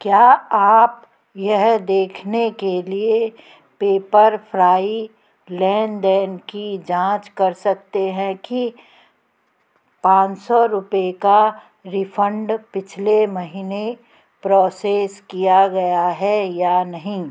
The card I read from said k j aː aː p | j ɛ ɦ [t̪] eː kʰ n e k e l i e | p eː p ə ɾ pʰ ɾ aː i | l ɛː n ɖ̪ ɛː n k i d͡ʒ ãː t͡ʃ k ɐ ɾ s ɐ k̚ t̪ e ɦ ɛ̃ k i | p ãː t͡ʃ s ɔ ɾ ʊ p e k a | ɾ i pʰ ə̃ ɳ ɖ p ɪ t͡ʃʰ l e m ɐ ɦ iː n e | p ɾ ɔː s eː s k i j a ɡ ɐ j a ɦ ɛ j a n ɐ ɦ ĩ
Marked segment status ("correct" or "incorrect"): incorrect